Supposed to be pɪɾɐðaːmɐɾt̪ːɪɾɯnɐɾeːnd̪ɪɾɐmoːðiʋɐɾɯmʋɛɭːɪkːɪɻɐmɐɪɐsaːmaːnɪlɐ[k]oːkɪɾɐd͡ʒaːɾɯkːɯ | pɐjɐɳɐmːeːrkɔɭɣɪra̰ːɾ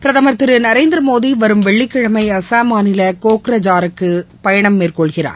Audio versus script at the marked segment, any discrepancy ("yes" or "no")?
no